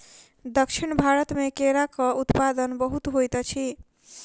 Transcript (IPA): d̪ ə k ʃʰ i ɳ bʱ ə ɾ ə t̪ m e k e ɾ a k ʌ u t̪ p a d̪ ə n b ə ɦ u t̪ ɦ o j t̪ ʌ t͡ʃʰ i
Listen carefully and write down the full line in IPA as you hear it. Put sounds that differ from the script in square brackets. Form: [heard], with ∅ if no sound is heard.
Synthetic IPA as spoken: d̪ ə k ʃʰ i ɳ bʱ [a] ɾ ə t̪ m e k e ɾ a k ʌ u t̪ p a d̪ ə n b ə ɦ u t̪ ɦ o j t̪ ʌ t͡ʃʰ i

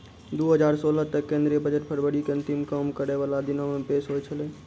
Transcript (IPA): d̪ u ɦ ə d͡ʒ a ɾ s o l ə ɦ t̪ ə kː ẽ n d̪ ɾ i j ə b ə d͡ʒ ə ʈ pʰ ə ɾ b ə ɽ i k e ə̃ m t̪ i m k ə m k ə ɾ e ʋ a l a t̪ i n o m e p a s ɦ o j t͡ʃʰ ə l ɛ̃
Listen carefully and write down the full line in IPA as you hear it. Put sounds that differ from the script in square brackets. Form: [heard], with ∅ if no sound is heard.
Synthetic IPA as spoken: d̪ u ɦ ə d͡ʒ a ɾ s o l ə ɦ t̪ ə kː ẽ n d̪ ɾ i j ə b ə d͡ʒ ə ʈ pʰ ə ɾ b ə ɽ i k e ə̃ [n] t̪ i m k ə m k ə ɾ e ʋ a l a [d̪] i n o m e p [e] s ɦ o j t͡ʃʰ ə l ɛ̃

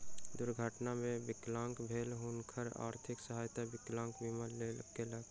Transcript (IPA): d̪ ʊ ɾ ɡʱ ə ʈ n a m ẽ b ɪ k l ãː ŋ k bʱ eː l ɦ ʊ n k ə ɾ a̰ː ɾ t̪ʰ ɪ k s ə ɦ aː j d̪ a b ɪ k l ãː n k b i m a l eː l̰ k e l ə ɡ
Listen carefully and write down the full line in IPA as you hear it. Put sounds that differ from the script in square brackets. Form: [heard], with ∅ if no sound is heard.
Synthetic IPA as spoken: d̪ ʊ ɾ ɡʱ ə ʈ n a m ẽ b ɪ k l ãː ŋ k bʱ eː l ɦ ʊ n [kʰ] ə ɾ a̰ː ɾ t̪ʰ ɪ k s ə ɦ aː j [t̪] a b ɪ k l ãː [ŋ] k b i m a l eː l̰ k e l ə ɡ

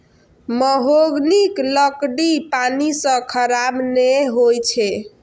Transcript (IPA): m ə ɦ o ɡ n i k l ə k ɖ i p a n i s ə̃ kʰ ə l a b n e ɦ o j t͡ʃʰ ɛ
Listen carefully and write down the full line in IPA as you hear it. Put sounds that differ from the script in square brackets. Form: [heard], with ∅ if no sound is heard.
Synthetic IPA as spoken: m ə ɦ o ɡ n i k l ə k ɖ i p a n i s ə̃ kʰ ə [ɾ] a b n e ɦ o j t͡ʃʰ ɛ

